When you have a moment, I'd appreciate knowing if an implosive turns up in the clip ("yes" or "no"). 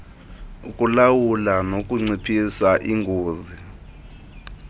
no